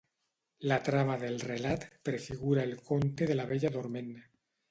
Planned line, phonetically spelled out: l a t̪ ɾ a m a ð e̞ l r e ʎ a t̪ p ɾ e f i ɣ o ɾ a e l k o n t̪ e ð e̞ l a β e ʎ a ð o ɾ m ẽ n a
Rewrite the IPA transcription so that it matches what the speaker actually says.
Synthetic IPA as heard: l a t̪ ɾ a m a ð e̞ l r e l a t̪ p ɾ e f i ɣ u ɾ a e l k o n t̪ e ð e̞ l a β e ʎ a ð o ɾ m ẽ n a